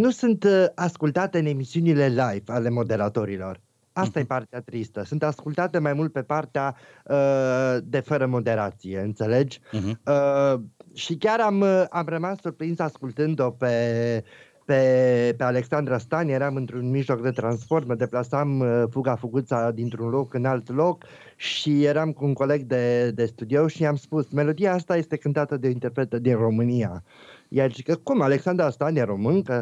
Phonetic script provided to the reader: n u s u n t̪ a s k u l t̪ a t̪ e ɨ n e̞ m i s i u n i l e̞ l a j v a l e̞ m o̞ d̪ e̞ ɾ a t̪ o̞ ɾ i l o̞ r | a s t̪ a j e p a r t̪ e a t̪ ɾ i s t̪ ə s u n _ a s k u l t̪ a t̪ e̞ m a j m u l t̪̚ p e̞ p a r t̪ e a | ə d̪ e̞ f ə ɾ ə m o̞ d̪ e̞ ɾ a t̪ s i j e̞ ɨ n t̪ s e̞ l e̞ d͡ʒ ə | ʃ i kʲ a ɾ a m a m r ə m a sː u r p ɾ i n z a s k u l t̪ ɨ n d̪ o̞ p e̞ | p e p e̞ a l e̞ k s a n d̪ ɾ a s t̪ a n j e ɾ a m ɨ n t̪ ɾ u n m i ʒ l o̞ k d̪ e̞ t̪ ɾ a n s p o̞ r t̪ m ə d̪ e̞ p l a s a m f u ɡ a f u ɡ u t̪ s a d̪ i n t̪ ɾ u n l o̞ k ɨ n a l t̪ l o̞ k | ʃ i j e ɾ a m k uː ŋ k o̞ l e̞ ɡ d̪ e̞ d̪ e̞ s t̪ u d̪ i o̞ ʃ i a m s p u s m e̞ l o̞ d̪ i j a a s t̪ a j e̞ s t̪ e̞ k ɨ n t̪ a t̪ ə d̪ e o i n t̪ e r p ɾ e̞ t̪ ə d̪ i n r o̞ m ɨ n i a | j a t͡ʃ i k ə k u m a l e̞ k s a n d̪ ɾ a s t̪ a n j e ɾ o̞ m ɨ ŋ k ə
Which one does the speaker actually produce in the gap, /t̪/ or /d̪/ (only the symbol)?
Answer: t̪